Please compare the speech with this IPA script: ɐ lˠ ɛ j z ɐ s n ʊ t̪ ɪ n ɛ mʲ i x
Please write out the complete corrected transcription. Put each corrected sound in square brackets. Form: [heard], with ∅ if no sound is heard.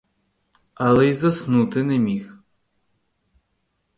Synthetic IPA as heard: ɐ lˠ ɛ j z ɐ s n [u] t̪ ɪ n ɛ mʲ i x